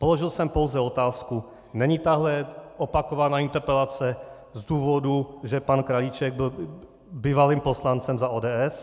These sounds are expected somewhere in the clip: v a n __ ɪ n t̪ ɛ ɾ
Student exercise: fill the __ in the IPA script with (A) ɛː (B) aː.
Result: B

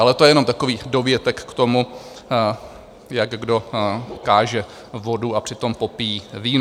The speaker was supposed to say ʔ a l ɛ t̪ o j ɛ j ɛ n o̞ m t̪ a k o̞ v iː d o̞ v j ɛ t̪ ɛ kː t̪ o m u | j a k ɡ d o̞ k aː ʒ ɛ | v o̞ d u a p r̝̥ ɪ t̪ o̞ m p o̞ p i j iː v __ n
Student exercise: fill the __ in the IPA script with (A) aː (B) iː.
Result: B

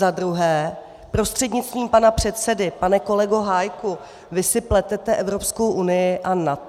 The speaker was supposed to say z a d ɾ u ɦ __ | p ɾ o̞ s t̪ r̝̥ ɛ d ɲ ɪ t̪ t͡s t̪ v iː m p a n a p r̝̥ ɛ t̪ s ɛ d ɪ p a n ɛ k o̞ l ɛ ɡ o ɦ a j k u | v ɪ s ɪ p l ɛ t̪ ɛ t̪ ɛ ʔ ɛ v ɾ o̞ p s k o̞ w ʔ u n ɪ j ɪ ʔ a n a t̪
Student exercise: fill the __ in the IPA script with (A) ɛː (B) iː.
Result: A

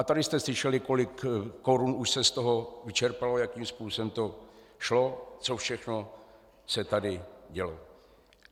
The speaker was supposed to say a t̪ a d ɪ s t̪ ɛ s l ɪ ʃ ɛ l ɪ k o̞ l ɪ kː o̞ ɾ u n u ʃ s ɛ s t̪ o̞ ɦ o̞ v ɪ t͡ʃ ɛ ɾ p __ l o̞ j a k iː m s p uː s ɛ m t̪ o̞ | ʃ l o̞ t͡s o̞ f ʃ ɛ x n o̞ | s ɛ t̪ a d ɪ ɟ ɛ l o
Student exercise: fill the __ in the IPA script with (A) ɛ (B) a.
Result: B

